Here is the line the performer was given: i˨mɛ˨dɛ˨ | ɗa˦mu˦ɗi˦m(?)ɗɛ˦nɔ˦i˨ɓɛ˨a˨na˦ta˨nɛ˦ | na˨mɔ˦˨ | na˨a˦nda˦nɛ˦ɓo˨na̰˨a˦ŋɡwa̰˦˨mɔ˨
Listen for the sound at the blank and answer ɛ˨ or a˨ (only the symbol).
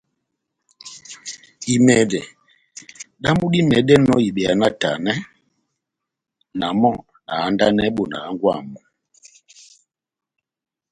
ɛ˨